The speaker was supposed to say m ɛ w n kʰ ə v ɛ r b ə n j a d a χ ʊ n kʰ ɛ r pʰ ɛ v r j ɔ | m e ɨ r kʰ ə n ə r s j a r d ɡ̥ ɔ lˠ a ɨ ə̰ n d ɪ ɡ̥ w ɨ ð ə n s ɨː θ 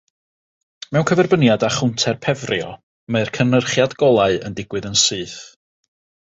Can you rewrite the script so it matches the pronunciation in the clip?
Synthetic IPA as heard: m ɛ w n kʰ ə v ɛ r b ə n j a d a χ ʊ n tʰ ɛ r pʰ ɛ v r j ɔ | m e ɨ r kʰ ə n ə r χ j a d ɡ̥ ɔ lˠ a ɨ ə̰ n d ɪ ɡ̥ w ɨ ð ə n s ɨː θ